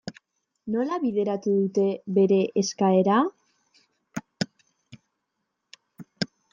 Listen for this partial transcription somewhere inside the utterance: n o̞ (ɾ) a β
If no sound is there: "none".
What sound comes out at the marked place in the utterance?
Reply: l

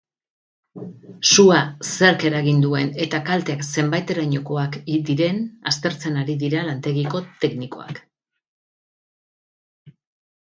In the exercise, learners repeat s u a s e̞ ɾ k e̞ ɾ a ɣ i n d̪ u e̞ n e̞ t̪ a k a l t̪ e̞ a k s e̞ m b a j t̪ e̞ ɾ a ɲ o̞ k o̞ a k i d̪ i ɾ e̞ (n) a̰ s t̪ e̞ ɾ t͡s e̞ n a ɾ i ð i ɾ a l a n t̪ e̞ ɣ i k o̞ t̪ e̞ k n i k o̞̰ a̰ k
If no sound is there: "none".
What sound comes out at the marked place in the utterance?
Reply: n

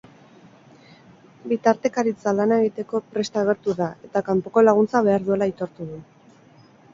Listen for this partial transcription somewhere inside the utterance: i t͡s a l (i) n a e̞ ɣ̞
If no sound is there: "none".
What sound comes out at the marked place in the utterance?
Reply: a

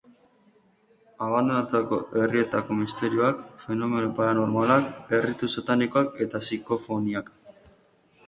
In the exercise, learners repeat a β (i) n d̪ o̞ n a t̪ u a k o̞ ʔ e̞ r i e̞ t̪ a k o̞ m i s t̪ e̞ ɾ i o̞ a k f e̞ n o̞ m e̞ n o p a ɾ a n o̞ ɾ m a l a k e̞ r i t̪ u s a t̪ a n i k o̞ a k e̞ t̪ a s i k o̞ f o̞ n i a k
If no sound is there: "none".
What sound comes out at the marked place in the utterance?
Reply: a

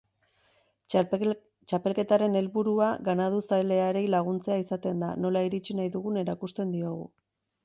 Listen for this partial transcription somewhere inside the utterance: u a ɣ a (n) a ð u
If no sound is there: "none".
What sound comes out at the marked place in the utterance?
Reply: n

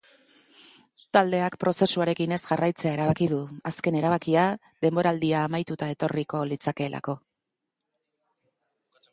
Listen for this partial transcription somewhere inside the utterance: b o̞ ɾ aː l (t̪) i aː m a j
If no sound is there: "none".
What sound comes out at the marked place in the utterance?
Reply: d̪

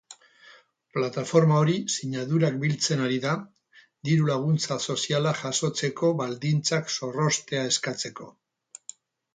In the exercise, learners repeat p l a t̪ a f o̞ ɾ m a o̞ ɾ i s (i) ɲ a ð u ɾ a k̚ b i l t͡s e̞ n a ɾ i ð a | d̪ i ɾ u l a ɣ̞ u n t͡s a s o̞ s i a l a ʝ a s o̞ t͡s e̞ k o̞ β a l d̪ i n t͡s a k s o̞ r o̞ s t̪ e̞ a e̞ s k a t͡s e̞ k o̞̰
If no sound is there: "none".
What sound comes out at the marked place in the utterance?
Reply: i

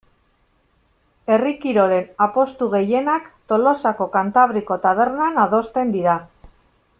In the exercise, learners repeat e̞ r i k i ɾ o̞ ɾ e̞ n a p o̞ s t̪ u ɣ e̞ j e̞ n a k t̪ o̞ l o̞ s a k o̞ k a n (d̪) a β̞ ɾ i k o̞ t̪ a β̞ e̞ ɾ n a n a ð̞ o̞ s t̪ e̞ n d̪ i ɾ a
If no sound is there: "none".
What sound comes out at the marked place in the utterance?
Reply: t̪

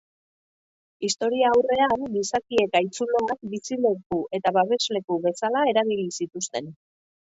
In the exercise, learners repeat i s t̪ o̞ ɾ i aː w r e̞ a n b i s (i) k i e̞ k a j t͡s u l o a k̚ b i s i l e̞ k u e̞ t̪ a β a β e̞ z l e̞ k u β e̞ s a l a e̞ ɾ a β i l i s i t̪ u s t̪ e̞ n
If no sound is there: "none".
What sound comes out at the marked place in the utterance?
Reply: a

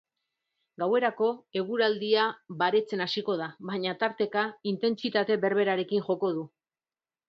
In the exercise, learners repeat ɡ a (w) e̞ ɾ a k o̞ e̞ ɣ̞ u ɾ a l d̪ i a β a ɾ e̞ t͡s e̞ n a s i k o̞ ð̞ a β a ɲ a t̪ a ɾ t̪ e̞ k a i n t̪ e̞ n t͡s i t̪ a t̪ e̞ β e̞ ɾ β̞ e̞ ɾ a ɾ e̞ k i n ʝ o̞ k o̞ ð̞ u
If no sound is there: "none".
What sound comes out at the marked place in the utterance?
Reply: w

